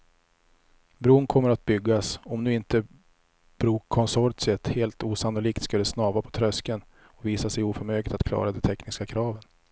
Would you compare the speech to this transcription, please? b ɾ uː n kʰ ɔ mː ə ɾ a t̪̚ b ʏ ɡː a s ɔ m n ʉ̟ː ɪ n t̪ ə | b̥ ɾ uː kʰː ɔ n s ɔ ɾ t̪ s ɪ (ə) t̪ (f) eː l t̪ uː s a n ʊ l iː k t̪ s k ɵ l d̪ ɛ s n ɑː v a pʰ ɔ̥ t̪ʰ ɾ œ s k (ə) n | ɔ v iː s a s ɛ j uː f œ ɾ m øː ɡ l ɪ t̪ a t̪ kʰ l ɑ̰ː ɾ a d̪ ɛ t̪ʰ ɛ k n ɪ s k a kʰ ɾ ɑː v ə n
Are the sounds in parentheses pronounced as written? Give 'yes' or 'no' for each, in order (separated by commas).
yes, no, yes